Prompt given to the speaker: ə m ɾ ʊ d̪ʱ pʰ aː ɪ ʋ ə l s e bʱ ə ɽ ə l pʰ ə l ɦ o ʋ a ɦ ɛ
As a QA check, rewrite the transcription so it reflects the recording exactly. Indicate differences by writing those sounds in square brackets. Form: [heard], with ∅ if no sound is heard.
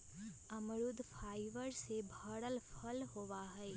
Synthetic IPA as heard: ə m ɾ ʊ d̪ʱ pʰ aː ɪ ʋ ə [ɾ] s e bʱ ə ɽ ə l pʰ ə l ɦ o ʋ a ɦ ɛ